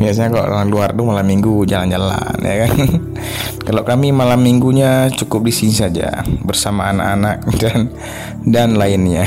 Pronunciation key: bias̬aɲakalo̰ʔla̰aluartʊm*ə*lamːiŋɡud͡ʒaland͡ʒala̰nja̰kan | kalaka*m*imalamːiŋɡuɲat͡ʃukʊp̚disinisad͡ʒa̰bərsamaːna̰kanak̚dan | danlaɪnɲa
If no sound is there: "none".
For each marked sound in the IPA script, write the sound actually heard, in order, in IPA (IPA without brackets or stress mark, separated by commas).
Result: a, m